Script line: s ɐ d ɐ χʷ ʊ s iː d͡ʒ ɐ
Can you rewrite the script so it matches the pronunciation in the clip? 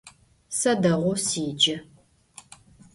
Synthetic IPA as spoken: s ɐ d ɐ ʁʷ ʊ s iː d͡ʒ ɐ